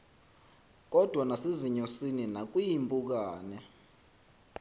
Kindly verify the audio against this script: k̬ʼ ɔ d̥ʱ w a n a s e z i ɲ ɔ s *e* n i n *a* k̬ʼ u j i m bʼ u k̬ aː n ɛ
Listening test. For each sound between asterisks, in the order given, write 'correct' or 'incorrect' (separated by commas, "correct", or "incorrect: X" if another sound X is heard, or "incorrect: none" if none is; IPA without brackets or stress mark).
incorrect: i, correct